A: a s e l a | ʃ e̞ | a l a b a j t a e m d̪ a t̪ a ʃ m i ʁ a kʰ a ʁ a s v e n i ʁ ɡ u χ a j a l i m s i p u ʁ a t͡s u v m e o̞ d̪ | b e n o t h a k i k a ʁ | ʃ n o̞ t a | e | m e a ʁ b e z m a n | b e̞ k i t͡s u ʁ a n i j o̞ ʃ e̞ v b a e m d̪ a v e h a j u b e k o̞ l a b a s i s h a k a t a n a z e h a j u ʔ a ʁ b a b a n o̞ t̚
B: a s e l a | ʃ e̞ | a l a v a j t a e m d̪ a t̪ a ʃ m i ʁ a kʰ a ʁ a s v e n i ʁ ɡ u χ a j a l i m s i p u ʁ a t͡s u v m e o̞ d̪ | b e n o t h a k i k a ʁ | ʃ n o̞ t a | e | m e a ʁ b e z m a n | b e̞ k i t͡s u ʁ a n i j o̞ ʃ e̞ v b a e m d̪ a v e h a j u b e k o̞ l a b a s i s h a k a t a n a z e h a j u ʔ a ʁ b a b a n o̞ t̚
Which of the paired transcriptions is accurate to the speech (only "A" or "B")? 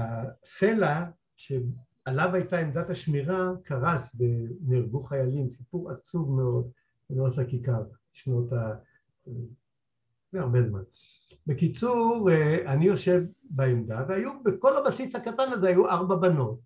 B